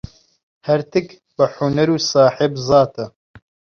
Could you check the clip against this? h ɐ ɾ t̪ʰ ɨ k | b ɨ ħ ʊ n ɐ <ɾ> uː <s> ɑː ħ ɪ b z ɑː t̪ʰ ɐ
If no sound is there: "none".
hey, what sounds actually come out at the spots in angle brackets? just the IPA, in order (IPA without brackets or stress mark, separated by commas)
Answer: ɾ, s